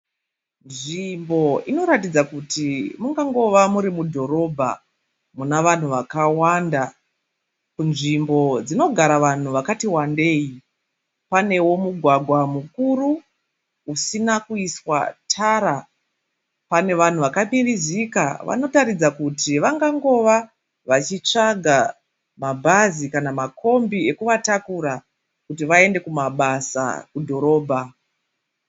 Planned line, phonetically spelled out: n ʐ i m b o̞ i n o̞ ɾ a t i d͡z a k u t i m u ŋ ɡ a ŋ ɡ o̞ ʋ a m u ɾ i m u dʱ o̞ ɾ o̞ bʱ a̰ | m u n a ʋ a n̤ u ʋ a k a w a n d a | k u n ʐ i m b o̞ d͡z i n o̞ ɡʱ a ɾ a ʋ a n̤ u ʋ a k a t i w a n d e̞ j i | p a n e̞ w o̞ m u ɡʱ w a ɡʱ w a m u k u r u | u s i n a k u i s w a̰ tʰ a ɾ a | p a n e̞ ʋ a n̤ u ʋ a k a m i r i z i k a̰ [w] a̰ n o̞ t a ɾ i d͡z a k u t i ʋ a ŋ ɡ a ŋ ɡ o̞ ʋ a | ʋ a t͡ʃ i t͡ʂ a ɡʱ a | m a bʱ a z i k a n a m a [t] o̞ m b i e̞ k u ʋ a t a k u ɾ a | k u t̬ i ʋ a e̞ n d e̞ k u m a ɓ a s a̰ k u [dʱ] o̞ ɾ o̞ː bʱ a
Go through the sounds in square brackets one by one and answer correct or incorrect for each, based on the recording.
incorrect: ʋ, incorrect: k, correct

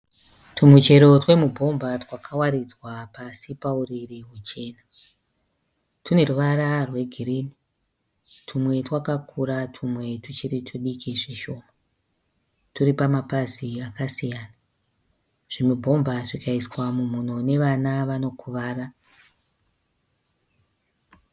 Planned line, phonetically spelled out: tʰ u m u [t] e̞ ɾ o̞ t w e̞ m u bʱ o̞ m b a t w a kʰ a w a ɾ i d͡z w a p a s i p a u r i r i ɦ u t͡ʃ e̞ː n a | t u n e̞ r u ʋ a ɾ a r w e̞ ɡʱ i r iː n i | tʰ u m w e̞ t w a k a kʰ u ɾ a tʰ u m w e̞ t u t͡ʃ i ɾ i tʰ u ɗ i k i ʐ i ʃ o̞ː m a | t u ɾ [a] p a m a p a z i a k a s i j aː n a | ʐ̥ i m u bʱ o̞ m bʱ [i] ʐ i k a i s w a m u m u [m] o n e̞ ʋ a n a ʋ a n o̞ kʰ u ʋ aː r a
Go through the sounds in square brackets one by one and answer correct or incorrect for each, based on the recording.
incorrect: t͡ʃ, incorrect: i, incorrect: a, incorrect: n

